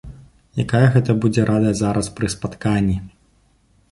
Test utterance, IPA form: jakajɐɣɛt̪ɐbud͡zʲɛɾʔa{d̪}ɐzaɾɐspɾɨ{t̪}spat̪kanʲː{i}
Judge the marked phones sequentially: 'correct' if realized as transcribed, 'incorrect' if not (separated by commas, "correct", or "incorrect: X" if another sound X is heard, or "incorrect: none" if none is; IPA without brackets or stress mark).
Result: correct, incorrect: none, correct